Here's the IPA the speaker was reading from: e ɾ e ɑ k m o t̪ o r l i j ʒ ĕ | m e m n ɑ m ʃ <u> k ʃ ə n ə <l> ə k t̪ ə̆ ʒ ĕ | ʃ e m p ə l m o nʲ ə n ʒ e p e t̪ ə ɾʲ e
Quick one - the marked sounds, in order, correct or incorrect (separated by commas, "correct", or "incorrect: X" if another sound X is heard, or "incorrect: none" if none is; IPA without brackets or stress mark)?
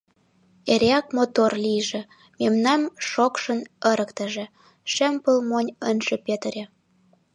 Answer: incorrect: o, incorrect: ɾ